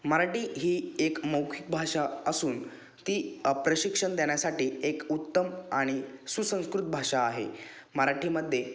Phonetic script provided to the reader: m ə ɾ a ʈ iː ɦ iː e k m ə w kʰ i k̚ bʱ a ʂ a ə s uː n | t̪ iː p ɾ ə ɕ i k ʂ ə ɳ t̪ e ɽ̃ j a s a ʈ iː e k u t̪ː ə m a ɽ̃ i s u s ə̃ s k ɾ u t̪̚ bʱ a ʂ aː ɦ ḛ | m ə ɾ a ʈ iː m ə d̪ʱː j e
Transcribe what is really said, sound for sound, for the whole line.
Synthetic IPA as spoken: m ə ɾ a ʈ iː ɦ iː e k m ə w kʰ i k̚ bʱ a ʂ a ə s uː n | t̪ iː p ɾ ə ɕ i k ʂ ə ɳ d̪ e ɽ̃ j a s a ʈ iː e k u t̪ː ə m a ɽ̃ i s u s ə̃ s k ɾ u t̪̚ bʱ a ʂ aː ɦ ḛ | m ə ɾ a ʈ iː m ə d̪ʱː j e